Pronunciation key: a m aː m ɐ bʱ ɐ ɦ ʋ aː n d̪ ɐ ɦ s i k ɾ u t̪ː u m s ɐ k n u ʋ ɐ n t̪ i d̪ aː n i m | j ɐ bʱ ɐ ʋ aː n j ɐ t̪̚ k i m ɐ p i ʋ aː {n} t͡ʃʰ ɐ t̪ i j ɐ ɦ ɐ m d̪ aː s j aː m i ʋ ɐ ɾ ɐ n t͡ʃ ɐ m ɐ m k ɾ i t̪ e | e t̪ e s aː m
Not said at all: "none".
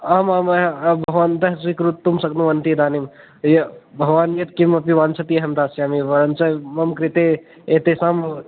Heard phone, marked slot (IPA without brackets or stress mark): n